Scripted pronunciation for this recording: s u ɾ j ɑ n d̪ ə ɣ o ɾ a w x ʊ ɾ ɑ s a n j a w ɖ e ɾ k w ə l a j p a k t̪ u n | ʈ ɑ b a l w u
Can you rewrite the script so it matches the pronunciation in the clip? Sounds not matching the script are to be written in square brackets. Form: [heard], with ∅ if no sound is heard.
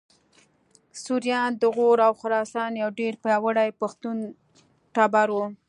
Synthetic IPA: s u ɾ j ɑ n d̪ ə ɣ o ɾ a w x ʊ ɾ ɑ s [ɑ] n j a w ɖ e ɾ [p] w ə [ɽ] a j p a [x] t̪ u n | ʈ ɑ b a [ɾ] w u